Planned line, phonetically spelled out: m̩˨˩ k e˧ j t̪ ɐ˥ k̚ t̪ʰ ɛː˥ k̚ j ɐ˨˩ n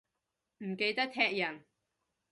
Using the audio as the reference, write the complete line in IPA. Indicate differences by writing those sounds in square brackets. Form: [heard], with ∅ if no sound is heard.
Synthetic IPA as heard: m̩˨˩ k e˧ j t̪ ɐ˥ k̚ t̪ʰ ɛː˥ k̚ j ɐ˨˩ n